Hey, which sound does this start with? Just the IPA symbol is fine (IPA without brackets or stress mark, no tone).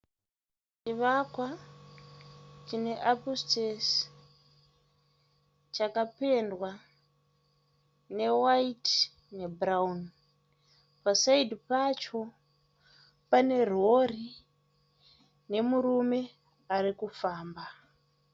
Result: t͡ʃ